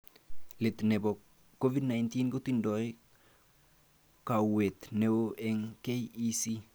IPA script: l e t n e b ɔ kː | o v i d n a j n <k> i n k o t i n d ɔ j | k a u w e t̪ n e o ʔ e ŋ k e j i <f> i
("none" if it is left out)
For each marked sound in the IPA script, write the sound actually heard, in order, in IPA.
t, s

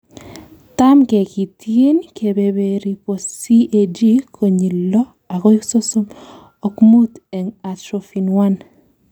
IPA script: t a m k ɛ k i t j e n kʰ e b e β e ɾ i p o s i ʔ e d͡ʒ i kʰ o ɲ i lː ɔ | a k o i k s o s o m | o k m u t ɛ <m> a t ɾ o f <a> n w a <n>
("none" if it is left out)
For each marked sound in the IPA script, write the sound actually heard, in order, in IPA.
ŋ, i, n

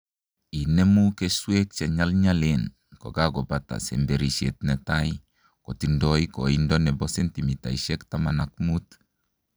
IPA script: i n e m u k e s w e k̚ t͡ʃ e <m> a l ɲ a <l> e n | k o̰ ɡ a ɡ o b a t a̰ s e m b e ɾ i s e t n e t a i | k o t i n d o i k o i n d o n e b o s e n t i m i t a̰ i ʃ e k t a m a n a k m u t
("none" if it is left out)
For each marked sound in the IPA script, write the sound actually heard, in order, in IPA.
ɲ, l

